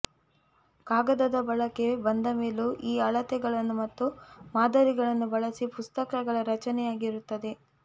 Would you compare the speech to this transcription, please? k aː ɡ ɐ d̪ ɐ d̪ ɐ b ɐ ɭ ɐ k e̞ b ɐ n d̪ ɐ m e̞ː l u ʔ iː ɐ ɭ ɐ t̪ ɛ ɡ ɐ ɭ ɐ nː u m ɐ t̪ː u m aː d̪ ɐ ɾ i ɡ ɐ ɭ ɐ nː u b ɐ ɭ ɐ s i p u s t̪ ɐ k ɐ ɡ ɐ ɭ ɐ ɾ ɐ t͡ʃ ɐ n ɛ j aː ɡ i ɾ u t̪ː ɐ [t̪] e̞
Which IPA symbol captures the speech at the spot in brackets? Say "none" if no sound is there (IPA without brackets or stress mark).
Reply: d̪